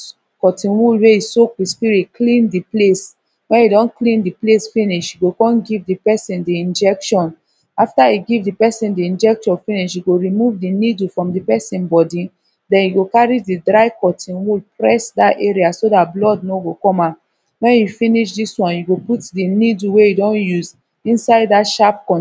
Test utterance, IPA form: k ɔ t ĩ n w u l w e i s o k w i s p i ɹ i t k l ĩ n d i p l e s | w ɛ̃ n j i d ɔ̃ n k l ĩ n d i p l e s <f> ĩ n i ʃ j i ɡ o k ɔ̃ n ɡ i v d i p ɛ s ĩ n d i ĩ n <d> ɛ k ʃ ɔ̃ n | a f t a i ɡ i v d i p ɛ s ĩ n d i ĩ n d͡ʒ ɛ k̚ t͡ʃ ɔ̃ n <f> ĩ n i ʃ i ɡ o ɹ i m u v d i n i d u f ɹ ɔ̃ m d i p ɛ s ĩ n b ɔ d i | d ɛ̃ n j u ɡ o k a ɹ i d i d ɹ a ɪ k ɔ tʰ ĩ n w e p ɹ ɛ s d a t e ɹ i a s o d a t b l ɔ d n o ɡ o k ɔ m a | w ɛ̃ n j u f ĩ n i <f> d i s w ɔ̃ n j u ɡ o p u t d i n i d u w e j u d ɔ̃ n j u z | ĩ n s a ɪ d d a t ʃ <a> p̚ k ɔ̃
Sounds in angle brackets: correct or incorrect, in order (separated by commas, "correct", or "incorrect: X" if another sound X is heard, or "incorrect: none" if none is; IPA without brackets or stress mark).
correct, incorrect: d͡ʒ, correct, incorrect: ʃ, correct